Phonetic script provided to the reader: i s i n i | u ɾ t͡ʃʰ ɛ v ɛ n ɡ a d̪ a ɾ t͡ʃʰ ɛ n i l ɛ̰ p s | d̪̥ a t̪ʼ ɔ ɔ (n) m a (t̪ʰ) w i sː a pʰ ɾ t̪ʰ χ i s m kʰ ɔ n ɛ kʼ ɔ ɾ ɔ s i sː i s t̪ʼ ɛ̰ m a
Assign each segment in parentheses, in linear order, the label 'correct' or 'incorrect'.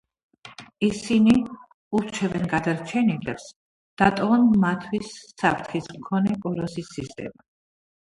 correct, correct

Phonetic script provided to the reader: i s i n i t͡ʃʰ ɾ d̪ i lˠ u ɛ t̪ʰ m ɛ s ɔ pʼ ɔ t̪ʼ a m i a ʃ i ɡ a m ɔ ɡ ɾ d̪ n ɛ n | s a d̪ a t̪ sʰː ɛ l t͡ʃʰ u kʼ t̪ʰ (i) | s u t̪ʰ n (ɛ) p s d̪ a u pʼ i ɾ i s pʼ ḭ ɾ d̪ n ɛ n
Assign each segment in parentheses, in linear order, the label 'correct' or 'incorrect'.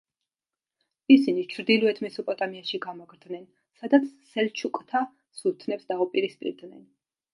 incorrect: a, correct

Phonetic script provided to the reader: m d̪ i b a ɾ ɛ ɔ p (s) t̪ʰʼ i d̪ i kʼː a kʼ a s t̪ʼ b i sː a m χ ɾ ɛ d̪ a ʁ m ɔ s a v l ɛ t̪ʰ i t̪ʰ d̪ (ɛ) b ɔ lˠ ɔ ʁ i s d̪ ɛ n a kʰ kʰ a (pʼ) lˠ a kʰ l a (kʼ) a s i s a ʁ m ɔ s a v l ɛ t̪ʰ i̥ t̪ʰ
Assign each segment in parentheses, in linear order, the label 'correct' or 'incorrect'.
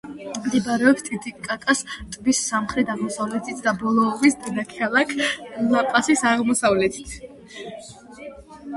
correct, incorrect: a, incorrect: none, incorrect: pʼ

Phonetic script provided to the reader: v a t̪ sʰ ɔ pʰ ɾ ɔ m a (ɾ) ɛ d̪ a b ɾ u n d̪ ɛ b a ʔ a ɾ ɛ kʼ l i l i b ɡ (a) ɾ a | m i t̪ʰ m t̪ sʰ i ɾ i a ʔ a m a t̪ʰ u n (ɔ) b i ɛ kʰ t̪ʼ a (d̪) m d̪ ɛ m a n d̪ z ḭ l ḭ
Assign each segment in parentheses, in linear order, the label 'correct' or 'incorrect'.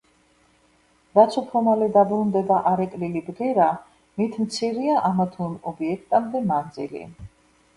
incorrect: l, incorrect: ɛ, correct, incorrect: none

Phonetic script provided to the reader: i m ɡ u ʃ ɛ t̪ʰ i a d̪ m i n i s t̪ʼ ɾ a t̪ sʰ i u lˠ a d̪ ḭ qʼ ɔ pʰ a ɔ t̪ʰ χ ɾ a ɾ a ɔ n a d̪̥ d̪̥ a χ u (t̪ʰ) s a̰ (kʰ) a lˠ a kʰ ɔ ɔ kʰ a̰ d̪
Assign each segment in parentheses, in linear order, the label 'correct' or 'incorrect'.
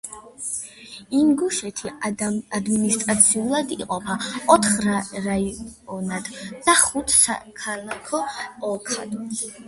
correct, correct

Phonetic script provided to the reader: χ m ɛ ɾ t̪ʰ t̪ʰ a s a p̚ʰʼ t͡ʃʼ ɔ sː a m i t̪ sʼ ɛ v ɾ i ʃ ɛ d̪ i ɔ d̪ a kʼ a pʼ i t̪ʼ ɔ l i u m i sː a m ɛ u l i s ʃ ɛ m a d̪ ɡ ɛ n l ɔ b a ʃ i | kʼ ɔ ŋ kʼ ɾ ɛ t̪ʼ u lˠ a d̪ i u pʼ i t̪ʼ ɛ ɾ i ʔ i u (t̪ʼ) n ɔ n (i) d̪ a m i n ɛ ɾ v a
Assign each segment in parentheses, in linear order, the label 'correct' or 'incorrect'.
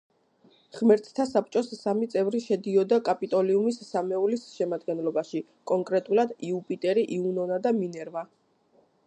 incorrect: none, incorrect: a

